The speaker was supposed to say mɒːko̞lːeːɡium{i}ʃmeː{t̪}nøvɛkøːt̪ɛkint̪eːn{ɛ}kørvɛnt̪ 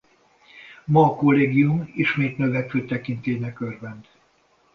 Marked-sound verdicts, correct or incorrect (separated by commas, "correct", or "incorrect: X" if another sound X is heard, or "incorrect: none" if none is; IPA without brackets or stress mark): correct, correct, correct